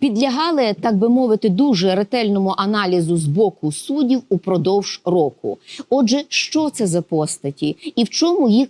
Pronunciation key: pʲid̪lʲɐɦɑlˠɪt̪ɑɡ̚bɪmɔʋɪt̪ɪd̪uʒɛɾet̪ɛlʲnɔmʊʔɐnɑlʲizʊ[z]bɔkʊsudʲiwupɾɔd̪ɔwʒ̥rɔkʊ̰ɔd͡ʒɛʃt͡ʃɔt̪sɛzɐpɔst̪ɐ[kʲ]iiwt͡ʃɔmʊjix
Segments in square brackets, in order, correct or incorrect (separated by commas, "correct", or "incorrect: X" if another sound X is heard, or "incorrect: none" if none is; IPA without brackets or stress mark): correct, incorrect: tʲ